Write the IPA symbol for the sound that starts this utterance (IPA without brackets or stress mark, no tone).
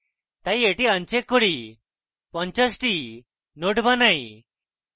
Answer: t̪